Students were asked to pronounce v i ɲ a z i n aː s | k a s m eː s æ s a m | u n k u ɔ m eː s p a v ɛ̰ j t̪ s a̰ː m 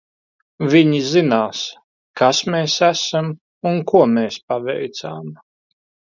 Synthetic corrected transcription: v i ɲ i z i n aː s | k a s m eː s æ s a m | u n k u ɔ m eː s p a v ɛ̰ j t̪ s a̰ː m